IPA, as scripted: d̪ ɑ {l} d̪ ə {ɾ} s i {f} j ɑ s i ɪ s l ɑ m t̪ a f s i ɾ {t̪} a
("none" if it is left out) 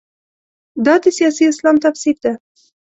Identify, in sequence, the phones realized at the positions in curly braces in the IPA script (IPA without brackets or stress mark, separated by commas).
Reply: none, none, none, d̪